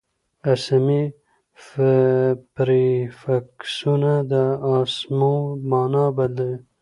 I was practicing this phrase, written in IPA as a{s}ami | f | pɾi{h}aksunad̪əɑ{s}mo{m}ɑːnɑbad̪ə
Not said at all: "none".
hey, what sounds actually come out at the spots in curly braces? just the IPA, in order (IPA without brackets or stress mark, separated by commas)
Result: s, f, s, m